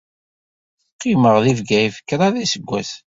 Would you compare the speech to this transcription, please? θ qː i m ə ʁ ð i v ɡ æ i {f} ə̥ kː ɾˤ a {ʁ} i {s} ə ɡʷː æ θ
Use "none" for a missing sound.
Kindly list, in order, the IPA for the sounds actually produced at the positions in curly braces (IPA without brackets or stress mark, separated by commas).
f, ð, s